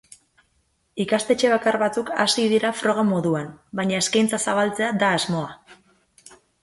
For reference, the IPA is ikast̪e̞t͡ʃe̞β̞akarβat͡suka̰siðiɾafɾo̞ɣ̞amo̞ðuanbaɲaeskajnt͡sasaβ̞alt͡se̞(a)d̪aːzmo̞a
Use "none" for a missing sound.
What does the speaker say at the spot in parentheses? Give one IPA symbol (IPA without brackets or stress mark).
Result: a